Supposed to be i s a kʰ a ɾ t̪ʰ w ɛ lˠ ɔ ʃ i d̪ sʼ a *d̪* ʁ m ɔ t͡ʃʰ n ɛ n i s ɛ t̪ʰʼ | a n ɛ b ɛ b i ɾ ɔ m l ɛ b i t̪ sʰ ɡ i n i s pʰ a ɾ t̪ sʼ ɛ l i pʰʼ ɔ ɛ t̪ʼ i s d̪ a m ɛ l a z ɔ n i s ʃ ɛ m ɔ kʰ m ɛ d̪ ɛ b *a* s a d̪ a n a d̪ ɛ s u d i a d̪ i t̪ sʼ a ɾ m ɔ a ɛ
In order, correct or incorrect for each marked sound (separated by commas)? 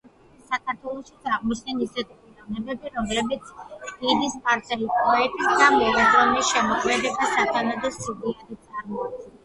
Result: incorrect, incorrect